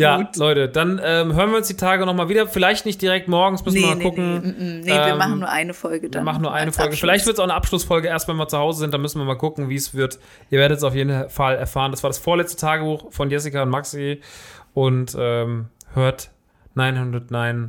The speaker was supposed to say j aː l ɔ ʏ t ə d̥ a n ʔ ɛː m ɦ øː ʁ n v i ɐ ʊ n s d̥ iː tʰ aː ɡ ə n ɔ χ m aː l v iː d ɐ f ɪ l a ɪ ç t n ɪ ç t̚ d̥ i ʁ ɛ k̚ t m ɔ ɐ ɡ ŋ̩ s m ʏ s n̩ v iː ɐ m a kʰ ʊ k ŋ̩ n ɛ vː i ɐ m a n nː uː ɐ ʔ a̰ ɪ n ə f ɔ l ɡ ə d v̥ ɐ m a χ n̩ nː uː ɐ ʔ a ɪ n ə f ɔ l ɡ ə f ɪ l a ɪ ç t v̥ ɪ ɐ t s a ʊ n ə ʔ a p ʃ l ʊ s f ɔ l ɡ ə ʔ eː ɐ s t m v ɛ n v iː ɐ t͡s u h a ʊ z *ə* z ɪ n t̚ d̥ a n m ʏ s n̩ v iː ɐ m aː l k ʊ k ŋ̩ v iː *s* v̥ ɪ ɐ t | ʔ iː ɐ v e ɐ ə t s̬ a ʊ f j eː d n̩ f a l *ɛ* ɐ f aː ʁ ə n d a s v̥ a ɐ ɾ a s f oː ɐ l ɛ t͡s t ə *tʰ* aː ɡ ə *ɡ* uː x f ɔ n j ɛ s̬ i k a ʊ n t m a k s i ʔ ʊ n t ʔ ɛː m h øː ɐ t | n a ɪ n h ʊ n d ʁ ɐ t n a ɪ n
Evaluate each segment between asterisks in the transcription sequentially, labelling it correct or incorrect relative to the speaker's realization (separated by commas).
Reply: correct, correct, correct, correct, incorrect